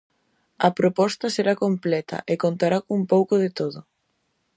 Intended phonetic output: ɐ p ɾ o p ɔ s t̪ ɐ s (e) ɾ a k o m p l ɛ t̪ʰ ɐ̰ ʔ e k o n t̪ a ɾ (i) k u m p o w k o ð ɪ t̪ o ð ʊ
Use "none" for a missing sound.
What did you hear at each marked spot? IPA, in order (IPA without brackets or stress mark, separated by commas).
e, a